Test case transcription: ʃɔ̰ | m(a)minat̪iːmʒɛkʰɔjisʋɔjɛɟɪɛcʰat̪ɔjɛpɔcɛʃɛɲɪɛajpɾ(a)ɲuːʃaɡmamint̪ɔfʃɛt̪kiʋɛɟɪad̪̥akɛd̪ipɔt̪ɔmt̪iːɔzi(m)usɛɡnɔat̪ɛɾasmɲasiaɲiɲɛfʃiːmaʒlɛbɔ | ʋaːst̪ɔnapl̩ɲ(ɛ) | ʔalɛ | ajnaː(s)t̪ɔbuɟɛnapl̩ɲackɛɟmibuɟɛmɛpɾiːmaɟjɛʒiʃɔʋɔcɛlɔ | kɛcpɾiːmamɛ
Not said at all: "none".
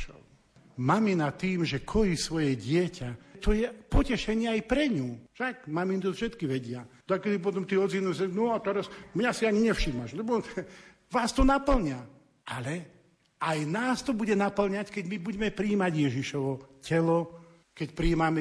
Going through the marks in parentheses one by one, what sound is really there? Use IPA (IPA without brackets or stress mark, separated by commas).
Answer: a, ɛ, n, a, s